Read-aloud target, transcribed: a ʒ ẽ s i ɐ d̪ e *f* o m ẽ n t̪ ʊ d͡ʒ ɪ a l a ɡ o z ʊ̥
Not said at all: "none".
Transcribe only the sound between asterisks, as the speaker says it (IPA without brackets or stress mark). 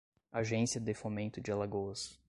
f